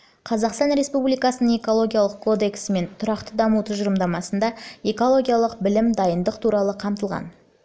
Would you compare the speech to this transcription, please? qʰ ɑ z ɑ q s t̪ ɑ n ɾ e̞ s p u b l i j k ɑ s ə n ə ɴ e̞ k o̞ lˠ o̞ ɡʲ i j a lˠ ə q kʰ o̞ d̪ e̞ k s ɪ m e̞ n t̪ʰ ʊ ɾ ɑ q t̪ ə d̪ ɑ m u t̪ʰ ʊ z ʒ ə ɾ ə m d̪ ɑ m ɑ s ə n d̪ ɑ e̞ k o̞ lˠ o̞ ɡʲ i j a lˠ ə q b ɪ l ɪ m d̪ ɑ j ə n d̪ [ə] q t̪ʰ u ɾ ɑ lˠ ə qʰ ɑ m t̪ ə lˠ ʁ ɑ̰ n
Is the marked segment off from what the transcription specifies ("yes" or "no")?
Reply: no